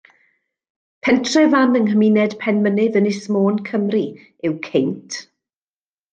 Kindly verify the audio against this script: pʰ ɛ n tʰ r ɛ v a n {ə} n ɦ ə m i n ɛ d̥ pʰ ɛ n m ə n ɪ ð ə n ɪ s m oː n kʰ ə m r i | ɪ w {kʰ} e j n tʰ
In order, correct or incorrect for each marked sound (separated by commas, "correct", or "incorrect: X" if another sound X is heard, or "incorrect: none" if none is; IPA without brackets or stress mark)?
correct, correct